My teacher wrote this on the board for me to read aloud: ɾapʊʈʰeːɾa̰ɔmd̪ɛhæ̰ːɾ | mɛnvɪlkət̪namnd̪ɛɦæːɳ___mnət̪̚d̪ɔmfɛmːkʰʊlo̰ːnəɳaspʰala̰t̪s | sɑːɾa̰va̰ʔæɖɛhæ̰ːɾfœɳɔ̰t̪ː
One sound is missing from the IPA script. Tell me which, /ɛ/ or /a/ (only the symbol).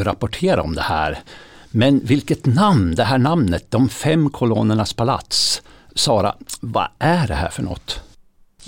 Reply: a